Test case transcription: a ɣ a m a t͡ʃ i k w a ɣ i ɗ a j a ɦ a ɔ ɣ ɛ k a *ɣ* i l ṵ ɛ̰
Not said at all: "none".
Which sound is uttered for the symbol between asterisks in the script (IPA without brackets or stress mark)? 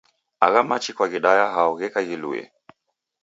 ɣ